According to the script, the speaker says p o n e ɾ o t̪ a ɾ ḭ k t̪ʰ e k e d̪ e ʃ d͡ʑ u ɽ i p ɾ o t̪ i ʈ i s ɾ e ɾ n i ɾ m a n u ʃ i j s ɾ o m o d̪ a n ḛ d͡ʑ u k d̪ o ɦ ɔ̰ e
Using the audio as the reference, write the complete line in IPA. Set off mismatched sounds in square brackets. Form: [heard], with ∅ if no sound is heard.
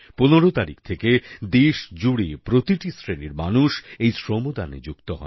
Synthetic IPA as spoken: p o n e ɾ o t̪ a ɾ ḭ k t̪ʰ e k e d̪ e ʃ d͡ʑ u ɽ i p ɾ o t̪ i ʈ i s ɾ e [∅] n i ɾ m a n u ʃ [e] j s ɾ o m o d̪ a n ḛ d͡ʑ u k [t̪] o ɦ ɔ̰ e